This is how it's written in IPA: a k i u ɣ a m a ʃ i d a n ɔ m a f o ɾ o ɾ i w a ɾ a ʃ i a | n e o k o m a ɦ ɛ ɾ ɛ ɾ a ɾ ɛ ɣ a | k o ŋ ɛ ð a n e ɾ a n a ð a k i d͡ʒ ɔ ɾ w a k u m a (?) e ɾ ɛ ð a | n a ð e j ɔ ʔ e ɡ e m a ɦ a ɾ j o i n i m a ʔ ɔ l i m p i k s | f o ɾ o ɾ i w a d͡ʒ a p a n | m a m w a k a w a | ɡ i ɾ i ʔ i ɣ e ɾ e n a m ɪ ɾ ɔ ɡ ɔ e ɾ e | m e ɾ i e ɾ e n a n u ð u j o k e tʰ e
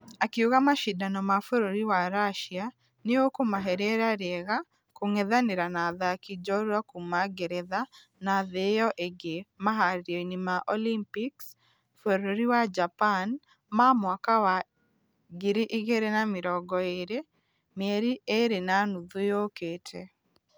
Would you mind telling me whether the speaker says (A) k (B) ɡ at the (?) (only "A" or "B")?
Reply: B